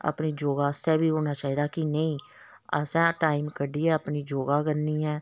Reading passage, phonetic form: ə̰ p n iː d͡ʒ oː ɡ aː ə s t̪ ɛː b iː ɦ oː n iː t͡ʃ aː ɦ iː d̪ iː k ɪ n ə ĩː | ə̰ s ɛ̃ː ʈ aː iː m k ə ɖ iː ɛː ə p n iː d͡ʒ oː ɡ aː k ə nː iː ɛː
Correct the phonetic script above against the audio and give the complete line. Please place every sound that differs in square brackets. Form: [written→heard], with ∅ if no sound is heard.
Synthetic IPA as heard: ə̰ p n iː d͡ʒ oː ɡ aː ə s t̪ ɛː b iː ɦ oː n [iː→aː] t͡ʃ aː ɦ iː d̪ [iː→aː] k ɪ n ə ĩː | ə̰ s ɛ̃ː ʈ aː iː m k ə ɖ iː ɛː ə p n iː d͡ʒ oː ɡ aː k ə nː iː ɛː